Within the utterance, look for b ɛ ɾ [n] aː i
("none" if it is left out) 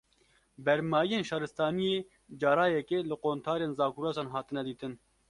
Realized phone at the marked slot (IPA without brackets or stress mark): m